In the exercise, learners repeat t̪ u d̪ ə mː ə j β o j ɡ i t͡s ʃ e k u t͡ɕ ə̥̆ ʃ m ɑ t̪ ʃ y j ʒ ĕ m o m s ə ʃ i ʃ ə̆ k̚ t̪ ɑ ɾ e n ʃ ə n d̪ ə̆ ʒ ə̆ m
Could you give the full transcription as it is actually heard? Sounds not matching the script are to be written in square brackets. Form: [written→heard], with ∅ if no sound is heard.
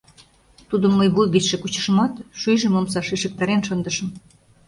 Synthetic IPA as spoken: t̪ u d̪ ə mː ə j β [o→u] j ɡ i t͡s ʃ e k u t͡ɕ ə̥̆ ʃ m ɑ t̪ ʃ y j ʒ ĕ m o m s [ə→ɑ] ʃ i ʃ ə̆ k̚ t̪ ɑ ɾ e n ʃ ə n d̪ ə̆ [ʒ→ʃ] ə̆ m